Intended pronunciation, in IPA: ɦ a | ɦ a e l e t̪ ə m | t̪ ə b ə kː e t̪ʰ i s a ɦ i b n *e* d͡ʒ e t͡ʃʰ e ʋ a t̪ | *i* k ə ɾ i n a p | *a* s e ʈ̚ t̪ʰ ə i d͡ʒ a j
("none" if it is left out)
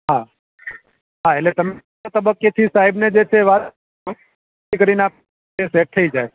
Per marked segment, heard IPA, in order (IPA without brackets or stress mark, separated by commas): e, i, e